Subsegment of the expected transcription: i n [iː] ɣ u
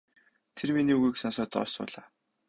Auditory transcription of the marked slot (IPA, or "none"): iː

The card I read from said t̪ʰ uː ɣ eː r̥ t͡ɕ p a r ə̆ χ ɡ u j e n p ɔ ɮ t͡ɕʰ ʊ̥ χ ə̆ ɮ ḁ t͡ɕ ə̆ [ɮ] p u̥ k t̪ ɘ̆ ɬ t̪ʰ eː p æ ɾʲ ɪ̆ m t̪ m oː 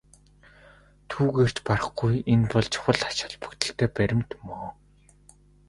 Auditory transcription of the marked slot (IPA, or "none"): ɮ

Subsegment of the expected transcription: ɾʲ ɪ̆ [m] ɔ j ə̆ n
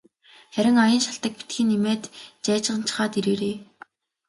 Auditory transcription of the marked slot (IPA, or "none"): ŋ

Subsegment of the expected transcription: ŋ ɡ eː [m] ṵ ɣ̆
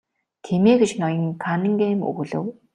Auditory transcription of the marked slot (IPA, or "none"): m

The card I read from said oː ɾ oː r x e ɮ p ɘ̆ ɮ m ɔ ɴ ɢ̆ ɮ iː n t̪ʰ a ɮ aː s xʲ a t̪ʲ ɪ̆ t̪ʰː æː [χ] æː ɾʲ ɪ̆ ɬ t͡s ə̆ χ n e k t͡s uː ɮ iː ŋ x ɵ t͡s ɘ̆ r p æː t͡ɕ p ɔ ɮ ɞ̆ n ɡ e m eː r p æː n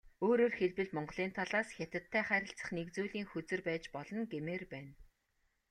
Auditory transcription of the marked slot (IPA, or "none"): χ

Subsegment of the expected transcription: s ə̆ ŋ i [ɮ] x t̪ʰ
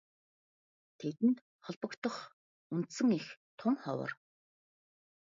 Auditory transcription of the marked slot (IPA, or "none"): none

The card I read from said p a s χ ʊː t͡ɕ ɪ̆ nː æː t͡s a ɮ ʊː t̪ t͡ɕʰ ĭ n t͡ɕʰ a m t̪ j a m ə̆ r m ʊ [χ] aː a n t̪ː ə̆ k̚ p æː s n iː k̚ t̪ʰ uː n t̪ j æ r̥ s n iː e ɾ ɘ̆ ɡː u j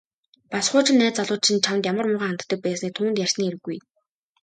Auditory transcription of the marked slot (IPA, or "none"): ʁ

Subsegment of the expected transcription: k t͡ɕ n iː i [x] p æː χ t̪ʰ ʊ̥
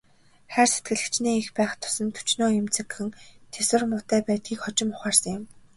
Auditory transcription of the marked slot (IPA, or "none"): x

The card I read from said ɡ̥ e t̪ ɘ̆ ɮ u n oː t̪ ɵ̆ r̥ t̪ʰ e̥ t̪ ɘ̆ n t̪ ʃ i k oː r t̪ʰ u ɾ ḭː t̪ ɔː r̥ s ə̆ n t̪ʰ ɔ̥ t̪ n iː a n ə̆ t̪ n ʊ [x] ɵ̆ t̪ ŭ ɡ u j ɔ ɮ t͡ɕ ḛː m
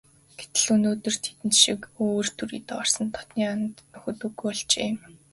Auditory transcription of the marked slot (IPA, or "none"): x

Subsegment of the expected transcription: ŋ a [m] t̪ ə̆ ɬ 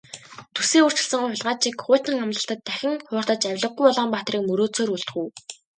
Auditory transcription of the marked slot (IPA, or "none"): m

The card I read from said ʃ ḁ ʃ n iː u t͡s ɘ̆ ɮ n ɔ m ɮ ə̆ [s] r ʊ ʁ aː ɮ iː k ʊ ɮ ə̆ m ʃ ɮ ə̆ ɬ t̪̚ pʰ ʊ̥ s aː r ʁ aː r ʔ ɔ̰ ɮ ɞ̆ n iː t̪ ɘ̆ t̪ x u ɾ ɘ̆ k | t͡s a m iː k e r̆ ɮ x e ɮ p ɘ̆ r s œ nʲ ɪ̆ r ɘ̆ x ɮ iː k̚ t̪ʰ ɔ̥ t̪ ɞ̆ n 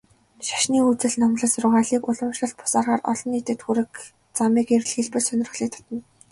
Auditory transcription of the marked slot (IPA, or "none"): s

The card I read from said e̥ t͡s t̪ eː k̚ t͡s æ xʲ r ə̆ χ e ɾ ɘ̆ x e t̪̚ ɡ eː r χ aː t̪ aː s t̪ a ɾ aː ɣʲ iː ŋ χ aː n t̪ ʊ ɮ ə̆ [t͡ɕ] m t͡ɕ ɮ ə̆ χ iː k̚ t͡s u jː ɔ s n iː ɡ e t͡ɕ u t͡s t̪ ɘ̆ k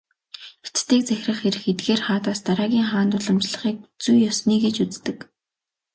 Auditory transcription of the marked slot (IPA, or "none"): none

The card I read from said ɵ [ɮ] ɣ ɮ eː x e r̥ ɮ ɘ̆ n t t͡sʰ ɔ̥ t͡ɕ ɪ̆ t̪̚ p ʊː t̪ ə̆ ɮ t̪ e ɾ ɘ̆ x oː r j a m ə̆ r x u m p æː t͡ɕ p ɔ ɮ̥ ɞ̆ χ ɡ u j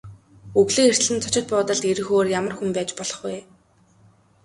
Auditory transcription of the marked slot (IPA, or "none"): none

